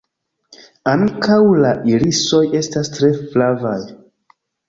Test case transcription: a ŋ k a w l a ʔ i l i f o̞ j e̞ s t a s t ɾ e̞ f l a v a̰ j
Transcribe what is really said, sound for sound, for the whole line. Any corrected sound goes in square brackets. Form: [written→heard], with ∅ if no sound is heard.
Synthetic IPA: a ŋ k a w l a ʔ i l i [f→s] o̞ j e̞ s t a s t ɾ e̞ f l a v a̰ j